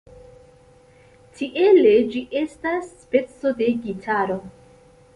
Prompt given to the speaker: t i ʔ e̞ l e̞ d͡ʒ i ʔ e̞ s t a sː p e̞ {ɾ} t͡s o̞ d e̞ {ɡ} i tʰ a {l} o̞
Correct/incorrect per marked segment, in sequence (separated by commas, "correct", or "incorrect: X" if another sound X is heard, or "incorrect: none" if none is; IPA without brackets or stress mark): incorrect: none, correct, incorrect: ɾ